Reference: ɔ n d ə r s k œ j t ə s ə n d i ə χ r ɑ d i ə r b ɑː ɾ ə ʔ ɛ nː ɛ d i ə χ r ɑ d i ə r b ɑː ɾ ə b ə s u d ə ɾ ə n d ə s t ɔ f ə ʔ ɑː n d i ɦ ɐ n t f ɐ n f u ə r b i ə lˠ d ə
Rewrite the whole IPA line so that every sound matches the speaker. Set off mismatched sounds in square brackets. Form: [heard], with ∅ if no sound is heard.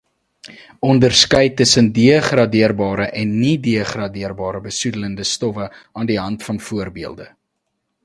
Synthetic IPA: ɔ n d ə r s k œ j t ə s ə n d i ə χ r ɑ d i ə r b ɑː ɾ ə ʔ ɛ nː [i] d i ə χ r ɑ d i ə r b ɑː ɾ ə b ə s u d ə [l] ə n d ə s t ɔ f ə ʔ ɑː n d i ɦ ɐ n t f ɐ n f u ə r b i ə lˠ d ə